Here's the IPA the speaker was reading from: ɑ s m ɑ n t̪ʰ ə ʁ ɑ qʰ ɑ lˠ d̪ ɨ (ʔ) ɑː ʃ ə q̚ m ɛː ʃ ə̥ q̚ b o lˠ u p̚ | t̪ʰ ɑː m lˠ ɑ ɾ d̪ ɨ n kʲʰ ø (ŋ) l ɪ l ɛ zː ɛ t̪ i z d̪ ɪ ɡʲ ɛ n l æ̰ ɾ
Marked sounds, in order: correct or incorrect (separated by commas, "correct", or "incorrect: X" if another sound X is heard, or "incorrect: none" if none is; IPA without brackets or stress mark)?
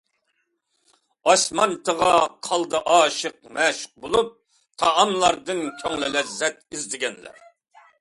correct, correct